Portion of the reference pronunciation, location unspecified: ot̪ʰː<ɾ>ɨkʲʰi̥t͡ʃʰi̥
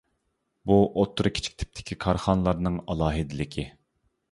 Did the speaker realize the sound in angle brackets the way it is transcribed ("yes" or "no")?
yes